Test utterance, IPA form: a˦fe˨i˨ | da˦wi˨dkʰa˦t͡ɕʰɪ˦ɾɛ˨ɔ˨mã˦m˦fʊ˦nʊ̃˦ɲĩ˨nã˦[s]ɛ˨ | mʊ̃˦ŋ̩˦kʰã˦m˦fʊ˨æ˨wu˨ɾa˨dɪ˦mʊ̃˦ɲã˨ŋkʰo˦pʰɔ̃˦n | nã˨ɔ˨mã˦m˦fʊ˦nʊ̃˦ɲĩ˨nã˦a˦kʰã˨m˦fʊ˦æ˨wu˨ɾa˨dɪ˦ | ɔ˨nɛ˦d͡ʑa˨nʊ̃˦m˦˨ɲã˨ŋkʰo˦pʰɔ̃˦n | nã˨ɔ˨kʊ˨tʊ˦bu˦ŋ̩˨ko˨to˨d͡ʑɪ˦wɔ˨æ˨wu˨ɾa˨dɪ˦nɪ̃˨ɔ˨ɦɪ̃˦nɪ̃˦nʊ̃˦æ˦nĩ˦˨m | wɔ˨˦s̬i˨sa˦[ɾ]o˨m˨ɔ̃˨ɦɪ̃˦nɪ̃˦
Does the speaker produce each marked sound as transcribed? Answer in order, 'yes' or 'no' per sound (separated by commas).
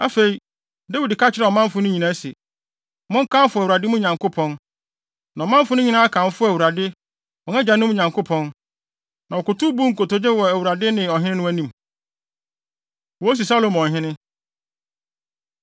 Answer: yes, no